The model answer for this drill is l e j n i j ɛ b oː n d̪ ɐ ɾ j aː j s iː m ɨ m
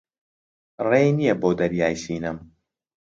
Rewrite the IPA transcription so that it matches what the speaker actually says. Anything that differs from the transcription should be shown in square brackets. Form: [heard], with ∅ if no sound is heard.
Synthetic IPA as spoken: [r] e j n i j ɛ b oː [∅] d̪ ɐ ɾ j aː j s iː [n] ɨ m